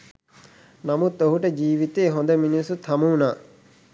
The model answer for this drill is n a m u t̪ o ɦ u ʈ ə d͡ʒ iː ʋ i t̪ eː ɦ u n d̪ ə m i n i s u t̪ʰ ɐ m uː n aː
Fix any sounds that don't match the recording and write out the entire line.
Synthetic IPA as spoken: n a m u t̪ o ɦ u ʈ ə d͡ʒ iː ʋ i t̪ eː ɦ o n d̪ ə m i n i s u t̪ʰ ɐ m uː n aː